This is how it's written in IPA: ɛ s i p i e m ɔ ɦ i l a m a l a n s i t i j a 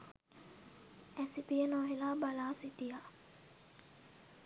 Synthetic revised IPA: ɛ s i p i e n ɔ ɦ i l a b a l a s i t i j a